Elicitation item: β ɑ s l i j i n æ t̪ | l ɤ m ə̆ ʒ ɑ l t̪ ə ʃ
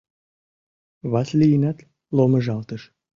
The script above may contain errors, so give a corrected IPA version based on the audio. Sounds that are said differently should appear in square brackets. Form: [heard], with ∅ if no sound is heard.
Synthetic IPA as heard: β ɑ s l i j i n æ t̪ | l [o] m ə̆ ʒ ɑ l t̪ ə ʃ